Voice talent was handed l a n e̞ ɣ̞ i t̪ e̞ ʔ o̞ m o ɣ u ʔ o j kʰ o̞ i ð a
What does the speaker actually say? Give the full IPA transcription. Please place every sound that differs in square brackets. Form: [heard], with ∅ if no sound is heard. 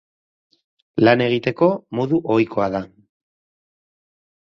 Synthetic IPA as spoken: l a n e̞ ɣ̞ i t̪ e̞ [k] o̞ m o [ð] u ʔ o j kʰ o̞ [a] ð a